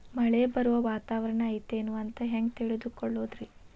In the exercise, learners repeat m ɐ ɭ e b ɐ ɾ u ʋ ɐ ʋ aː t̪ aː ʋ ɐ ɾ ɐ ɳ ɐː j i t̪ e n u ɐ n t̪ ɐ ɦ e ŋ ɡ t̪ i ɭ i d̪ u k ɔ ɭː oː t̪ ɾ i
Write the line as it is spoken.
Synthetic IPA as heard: m ɐ ɭ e b ɐ ɾ u ʋ ɐ ʋ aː t̪ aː ʋ ɐ ɾ ɐ ɳ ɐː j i t̪ e n u ɐ n t̪ ɐ ɦ e ŋ ɡ t̪ i ɭ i d̪ u k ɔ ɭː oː d̪ ɾ i